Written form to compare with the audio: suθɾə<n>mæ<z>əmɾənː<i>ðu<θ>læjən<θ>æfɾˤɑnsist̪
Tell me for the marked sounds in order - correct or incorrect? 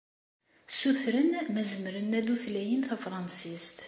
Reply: correct, correct, incorrect, correct, correct

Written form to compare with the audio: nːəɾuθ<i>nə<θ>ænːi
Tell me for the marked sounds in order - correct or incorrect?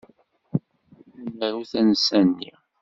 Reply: incorrect, incorrect

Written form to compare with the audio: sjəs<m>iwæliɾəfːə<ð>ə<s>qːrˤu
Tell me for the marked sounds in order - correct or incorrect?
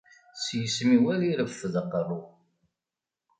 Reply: correct, correct, incorrect

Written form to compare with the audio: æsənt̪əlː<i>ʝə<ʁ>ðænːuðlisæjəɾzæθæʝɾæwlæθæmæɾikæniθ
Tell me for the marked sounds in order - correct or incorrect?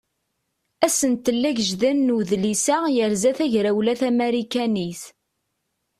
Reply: incorrect, incorrect

